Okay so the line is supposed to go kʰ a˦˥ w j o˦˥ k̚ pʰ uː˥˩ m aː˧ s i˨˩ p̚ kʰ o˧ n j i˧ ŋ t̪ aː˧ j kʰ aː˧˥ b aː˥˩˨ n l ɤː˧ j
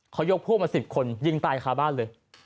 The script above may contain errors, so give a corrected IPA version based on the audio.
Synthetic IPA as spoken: kʰ a˦˥ w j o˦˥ k̚ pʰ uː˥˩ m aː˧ s i˨˩ p̚ kʰ o˧ n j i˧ ŋ t̪ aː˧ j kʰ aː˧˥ b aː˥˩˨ n l ɤː˧ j